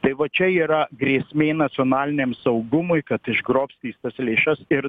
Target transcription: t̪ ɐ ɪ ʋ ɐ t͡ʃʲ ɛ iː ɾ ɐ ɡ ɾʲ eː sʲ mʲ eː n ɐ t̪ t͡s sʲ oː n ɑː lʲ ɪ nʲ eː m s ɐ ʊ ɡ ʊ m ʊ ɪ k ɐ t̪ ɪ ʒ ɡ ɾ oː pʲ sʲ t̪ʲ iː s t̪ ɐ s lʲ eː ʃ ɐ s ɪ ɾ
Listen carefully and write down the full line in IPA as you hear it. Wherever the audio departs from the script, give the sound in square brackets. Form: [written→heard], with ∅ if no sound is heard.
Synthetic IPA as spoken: t̪ ɐ ɪ ʋ ɐ t͡ʃʲ ɛ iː ɾ ɐ ɡ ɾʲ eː sʲ mʲ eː n ɐ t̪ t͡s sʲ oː n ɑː lʲ ɪ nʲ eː m s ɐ ʊ ɡ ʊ m ʊ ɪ k ɐ t̪ ɪ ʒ ɡ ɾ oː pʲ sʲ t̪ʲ iː s t̪ ɐ s lʲ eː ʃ ɐ s ɪ ɾ